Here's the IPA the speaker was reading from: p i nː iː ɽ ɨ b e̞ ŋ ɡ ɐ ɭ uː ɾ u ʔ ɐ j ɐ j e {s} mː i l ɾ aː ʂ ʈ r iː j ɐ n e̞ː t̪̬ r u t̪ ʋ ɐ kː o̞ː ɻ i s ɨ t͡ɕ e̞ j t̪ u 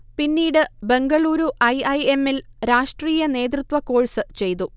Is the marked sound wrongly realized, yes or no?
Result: yes